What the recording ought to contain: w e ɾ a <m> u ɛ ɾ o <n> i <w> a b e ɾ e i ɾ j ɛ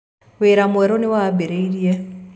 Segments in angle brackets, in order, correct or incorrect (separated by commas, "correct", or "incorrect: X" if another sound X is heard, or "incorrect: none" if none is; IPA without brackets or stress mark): correct, correct, correct